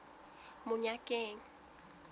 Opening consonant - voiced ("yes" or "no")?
yes